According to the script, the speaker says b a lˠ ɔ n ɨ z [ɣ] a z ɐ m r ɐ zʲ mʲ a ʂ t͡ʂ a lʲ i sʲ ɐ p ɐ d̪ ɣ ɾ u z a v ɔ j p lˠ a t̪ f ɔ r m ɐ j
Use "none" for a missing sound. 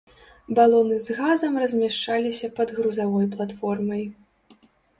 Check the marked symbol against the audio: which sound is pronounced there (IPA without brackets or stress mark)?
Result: ɣ